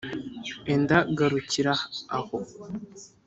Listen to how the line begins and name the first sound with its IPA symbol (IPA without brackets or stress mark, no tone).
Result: e